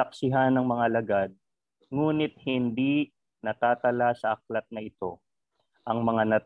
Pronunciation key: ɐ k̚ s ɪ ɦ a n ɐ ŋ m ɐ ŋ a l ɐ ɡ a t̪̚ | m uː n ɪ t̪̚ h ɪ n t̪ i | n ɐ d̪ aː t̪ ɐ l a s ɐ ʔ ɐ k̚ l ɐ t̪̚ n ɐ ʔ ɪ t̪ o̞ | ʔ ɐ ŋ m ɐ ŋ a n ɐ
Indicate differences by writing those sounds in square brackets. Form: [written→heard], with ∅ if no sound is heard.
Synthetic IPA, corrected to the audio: ɐ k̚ s ɪ ɦ a n ɐ ŋ m ɐ ŋ a l ɐ ɡ a [t̪̚→d̪̚] | [m→ŋ] uː n ɪ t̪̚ h ɪ n [t̪→d̪] i | n ɐ [d̪→t̪] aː t̪ ɐ l a s ɐ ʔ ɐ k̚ l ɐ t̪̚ n ɐ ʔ ɪ t̪ o̞ | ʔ ɐ ŋ m ɐ ŋ a n ɐ